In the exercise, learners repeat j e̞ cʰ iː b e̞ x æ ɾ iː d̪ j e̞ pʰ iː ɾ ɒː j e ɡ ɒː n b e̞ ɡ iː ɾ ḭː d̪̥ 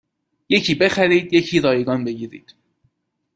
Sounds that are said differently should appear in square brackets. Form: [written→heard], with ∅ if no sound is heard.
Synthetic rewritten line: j e̞ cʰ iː b e̞ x æ ɾ iː d̪ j e̞ [pʰ→cʰ] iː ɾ ɒː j e ɡ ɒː n b e̞ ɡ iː ɾ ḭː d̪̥